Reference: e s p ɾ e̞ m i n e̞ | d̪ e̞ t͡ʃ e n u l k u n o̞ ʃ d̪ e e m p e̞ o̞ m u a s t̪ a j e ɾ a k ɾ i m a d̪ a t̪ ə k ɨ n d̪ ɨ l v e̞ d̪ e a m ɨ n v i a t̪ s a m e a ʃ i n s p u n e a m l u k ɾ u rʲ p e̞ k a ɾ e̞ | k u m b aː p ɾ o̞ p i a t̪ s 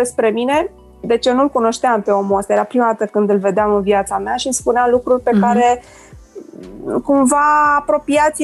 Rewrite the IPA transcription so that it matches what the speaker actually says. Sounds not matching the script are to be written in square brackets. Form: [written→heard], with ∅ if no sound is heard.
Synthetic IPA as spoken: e s p ɾ e̞ m i n e̞ | d̪ e̞ t͡ʃ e n u l k u n o̞ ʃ [d̪→t̪] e [e→a] m p e̞ o̞ m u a s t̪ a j e ɾ a [k→p] ɾ i m a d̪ a t̪ ə k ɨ n d̪ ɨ l v e̞ d̪ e a m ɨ n v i a t̪ s a m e a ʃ i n s p u n e a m l u k ɾ u rʲ p e̞ k a ɾ e̞ | k u m [b→v] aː p ɾ o̞ p i a t̪ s